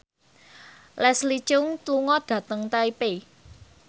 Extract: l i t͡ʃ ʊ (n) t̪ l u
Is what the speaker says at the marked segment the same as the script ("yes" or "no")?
no